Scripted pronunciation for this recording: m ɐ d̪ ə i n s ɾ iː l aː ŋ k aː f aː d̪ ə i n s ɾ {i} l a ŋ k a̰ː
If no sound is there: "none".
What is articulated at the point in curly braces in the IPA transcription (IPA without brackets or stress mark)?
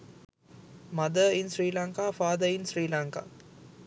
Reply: iː